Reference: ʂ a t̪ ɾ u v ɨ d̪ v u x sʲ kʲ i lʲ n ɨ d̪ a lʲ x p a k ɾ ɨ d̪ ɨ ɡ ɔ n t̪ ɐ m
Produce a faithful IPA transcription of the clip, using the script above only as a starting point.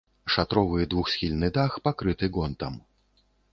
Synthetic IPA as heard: ʂ a t̪ ɾ ɔ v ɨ d̪ v u x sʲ xʲ i lʲ n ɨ d̪ a x p a k ɾ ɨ t̪ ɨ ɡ ɔ n t̪ ɐ m